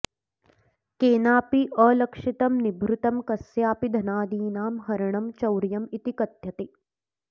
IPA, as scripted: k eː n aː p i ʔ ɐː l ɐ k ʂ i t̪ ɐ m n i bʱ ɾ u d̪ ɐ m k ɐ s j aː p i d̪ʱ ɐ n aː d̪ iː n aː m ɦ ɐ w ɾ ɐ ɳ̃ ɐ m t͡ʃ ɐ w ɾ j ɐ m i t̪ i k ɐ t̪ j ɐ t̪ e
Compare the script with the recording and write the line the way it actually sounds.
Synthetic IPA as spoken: k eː n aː p i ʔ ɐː l ɐ k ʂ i t̪ ɐ m n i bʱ ɾ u t̪ ɐ m k ɐ s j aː p i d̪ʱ ɐ n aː d̪ iː n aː m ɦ ɐ ɾ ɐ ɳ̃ ɐ m t͡ʃ ɐ w ɾ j ɐ m i t̪ i k ɐ t̪ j ɐ t̪ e

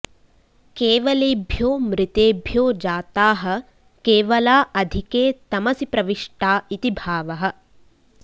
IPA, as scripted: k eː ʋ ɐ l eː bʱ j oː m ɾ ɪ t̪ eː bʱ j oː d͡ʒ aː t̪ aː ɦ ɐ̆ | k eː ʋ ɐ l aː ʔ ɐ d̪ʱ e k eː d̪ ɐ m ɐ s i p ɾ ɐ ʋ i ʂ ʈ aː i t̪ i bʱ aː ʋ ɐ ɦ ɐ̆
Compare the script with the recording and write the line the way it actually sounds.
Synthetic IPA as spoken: k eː ʋ ɐ l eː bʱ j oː m ɾ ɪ t̪ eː bʱ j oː d͡ʒ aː t̪ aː ɦ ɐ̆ | k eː ʋ ɐ l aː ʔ ɐ d̪ʱ i k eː t̪ ɐ m ɐ s i p ɾ ɐ ʋ i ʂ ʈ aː i t̪ i bʱ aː ʋ ɐ ɦ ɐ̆

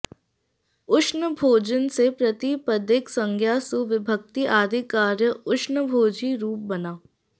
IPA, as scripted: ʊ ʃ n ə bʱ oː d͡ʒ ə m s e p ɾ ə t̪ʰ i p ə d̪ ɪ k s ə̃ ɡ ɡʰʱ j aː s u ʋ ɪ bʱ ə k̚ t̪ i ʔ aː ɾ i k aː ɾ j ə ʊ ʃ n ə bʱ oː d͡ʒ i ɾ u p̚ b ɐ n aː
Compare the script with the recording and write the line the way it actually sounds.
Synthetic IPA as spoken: ʊ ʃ n ə bʱ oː d͡ʒ ə n s e p ɾ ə t̪ i p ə d̪ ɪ k s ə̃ ŋ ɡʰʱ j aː s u ʋ ɪ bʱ ə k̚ t̪ i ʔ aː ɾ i k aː ɾ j ə ʊ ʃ n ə bʱ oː d͡ʒ i ɾ uː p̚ b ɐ n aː

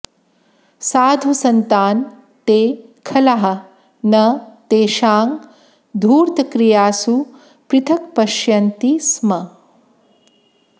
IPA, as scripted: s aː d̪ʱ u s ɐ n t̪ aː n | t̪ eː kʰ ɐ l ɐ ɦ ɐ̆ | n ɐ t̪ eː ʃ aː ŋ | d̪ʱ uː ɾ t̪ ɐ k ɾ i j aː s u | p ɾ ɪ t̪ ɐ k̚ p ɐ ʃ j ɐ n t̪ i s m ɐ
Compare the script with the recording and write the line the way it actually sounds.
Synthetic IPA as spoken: s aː d̪ʱ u s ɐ n t̪ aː n | t̪ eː kʰ ɐ l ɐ ɦ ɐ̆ | n ɐ t̪ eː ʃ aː ŋ | d̪ʱ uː ɾ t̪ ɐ k ɾ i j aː s u | p ɾ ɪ t̪ʰ ɐ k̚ p ɐ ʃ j ɐ n t̪ i s m ɐ

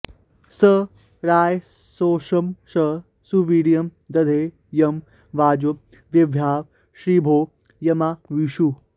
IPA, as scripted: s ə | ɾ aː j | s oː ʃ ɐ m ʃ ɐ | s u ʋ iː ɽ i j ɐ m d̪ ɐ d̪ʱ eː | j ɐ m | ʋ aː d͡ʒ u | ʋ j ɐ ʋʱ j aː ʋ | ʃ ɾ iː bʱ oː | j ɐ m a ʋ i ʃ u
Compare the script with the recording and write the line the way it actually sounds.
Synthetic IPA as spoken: s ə | ɾ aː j | s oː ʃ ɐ m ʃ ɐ | s u ʋ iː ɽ i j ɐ m d̪ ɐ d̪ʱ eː | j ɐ m | ʋ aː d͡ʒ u | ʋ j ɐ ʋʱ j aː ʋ | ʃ ɾ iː bʱ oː | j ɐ m a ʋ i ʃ u

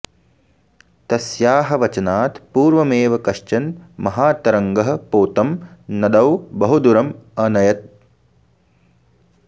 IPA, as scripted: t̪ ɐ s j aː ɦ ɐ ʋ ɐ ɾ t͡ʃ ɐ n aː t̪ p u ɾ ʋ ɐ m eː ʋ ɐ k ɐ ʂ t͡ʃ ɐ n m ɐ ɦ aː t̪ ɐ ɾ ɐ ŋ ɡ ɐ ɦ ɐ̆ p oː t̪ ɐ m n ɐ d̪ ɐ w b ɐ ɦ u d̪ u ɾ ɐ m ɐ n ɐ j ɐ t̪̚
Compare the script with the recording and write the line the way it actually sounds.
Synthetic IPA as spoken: t̪ ɐ s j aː ɦ ɐ ʋ ɐ t͡ʃ ɐ n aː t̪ p uː ɾ ʋ ɐ m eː ʋ ɐ k ɐ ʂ t͡ʃ ɐ n m ɐ ɦ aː t̪ ɐ ɾ ɐ ŋ ɡ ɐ ɦ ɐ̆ p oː t̪ ɐ m n ɐ d̪ ɐ w b ɐ ɦ u d̪ u ɾ ɐ m ɐ n ɐ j ɐ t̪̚

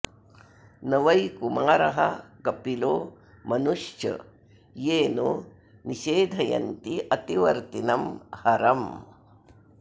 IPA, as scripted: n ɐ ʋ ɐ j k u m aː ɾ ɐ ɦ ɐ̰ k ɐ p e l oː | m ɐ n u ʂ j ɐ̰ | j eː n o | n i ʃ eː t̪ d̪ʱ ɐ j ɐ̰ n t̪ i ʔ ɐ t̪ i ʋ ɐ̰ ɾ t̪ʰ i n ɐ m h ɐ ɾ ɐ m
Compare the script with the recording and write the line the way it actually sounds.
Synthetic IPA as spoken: n ɐ ʋ ɐ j k u m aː ɾ ɐ ɦ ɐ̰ k ɐ p i l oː | m ɐ n u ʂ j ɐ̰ | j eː n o | n i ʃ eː d̪ʱ ɐ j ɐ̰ n t̪ i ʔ ɐ t̪ i ʋ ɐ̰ ɾ t̪ i n ɐ m h ɐ ɾ ɐ m

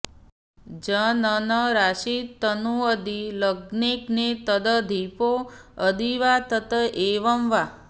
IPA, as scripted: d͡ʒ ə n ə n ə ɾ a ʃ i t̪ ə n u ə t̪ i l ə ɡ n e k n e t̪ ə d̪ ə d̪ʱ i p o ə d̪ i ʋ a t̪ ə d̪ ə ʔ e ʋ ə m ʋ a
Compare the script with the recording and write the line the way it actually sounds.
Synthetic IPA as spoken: d͡ʒ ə n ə n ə ɾ a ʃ i t̪ ə n u ə d̪ i l ə ɡ n e k n e t̪ ə d̪ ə d̪ʱ i p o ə d̪ i ʋ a t̪ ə t̪ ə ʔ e ʋ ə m ʋ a

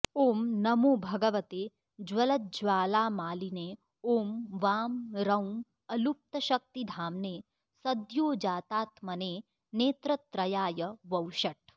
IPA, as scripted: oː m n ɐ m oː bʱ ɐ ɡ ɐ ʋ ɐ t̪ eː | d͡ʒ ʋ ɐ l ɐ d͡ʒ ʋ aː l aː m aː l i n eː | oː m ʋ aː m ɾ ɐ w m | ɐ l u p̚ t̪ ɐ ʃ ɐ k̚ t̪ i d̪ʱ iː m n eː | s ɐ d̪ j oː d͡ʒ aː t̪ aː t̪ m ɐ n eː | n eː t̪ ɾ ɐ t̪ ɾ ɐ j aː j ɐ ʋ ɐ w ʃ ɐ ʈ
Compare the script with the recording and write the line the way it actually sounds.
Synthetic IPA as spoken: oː m n ɐ m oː bʱ ɐ ɡ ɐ ʋ ɐ t̪ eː | d͡ʒ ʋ ɐ l ɐ d͡ʒ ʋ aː l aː m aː l i n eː | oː m ʋ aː m ɾ ɐ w m | ɐ l u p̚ t̪ ɐ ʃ ɐ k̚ t̪ i d̪ʱ aː m n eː | s ɐ d̪ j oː d͡ʒ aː t̪ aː t̪ m ɐ n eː | n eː t̪ ɾ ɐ t̪ ɾ ɐ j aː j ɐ ʋ ɐ w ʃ ɐ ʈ

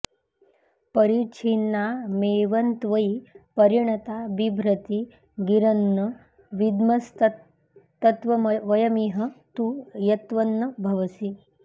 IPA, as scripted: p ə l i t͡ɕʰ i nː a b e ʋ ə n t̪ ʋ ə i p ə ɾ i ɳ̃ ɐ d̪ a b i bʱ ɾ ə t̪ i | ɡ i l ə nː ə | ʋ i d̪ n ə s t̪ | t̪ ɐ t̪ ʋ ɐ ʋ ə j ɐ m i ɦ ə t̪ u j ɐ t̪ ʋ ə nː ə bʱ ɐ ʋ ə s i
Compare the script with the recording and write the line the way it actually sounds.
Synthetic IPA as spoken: p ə ɾ i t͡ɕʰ i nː a m e ʋ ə n t̪ ʋ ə i p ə ɾ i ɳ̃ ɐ t̪ a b i bʱ ɾ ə t̪ i | ɡ i ɾ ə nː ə | ʋ i d̪ m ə s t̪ | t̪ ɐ t̪ ʋ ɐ ʋ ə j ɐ m i ɦ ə t̪ u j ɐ t̪ ʋ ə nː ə bʱ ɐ ʋ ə s i

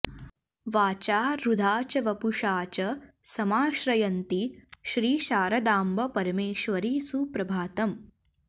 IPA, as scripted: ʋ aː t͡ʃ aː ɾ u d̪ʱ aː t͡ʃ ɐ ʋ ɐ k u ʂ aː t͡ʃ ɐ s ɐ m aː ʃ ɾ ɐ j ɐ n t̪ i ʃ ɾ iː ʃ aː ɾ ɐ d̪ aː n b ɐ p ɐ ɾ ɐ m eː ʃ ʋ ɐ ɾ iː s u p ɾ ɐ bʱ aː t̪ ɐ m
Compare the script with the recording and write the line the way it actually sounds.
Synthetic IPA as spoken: ʋ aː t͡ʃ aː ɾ u d̪ʱ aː t͡ʃ ɐ ʋ ɐ p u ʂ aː t͡ʃ ɐ s ɐ m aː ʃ ɾ ɐ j ɐ n t̪ i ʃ ɾ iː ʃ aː ɾ ɐ d̪ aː m b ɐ p ɐ ɾ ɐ m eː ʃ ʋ ɐ ɾ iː s u p ɾ ɐ bʱ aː t̪ ɐ m

